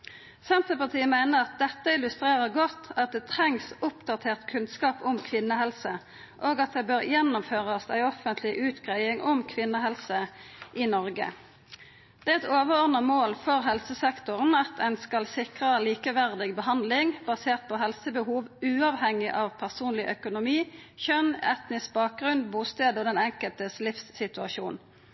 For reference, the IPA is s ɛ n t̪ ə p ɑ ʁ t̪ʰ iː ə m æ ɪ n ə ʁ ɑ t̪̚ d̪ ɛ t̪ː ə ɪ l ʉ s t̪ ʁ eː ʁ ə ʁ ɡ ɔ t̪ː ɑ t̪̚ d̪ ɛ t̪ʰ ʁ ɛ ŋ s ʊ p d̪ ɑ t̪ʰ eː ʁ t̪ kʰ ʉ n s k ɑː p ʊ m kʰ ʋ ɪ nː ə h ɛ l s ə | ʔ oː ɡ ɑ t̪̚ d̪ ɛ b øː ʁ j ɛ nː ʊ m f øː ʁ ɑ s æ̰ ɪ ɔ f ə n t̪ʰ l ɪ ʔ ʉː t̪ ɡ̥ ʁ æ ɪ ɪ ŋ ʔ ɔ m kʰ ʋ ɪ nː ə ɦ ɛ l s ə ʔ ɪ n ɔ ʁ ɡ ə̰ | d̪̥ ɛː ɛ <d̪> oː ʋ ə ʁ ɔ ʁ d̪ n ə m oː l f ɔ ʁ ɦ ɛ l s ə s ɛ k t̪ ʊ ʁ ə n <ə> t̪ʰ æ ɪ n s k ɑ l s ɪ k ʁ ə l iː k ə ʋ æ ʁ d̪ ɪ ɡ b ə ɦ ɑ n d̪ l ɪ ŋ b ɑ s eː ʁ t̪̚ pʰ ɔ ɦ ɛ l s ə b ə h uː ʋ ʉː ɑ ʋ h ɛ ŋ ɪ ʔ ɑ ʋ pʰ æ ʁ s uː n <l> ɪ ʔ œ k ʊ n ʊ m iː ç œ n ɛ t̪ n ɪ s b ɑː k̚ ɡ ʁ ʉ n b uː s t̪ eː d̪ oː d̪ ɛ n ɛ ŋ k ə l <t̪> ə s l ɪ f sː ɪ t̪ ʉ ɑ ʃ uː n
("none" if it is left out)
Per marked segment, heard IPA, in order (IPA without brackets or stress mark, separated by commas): t̪, ɑ, l, t̪